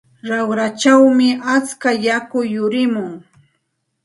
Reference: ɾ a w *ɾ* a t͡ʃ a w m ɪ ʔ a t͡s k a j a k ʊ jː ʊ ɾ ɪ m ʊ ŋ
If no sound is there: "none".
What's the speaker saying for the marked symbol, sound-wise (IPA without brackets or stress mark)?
ɾ